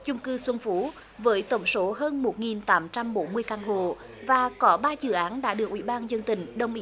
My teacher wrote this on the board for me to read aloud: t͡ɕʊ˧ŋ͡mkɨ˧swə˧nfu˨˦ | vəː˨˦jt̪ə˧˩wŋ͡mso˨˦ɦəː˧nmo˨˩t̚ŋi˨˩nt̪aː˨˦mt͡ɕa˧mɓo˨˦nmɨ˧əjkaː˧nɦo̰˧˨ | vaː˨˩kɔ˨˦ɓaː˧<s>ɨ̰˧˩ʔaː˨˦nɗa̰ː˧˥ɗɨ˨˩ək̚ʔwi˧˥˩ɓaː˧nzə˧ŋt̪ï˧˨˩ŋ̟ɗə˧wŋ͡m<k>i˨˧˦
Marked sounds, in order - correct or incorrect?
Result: incorrect: z, incorrect: ʔ

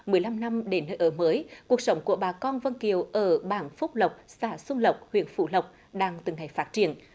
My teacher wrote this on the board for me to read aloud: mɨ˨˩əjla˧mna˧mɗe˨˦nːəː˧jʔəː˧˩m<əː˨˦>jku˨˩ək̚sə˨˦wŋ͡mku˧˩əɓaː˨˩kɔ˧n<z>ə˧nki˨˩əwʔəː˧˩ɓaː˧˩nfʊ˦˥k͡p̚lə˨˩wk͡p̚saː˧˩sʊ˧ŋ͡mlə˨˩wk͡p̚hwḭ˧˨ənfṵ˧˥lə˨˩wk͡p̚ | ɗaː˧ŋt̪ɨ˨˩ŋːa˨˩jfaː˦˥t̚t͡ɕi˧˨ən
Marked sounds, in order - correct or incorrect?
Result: correct, incorrect: v

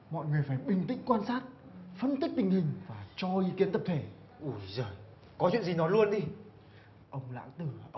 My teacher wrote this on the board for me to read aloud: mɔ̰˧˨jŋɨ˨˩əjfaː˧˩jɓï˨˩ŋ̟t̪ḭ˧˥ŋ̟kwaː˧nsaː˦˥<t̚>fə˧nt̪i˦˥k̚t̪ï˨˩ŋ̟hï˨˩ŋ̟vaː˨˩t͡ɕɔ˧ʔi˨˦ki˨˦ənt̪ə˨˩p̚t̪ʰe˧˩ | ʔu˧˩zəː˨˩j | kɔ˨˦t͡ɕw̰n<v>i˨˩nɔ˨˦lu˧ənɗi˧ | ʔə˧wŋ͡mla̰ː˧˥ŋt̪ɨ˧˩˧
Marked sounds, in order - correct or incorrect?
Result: correct, incorrect: z

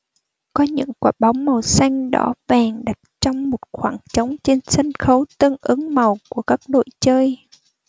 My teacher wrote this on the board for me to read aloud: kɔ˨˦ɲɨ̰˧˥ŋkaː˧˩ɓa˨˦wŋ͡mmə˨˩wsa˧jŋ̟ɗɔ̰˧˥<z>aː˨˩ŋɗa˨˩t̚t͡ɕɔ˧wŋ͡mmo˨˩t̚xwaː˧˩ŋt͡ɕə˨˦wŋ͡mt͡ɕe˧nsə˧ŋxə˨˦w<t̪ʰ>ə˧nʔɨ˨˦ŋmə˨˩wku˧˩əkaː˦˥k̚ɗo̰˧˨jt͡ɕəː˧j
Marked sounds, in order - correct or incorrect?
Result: incorrect: v, incorrect: t̪

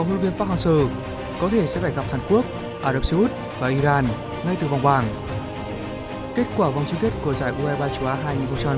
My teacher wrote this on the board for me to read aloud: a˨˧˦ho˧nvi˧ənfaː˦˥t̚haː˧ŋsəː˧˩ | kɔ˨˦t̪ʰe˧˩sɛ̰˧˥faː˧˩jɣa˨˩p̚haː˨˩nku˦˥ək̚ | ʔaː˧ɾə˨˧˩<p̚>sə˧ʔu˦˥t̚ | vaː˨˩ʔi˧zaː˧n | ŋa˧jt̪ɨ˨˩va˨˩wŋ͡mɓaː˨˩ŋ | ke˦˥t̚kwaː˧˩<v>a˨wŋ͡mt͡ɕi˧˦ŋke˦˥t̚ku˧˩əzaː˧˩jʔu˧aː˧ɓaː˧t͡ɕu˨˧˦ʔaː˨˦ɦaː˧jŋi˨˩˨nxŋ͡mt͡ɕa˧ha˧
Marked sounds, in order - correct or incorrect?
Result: correct, correct

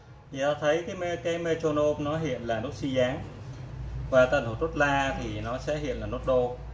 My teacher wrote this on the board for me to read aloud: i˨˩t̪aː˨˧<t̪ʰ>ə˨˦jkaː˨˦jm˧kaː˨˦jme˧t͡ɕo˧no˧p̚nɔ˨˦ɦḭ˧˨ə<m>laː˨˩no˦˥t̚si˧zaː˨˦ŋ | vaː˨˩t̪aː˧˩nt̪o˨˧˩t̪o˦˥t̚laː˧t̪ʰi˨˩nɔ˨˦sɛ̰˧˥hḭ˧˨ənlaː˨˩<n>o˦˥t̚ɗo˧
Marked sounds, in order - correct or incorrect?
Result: correct, incorrect: n, correct

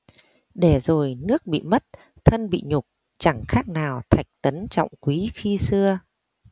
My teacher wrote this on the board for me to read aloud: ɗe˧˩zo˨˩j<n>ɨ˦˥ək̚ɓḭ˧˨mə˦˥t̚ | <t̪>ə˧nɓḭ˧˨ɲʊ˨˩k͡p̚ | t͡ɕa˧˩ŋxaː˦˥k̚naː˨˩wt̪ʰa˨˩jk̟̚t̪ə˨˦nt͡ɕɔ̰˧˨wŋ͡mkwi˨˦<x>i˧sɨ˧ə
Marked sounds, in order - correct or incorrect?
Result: correct, incorrect: t̪ʰ, correct

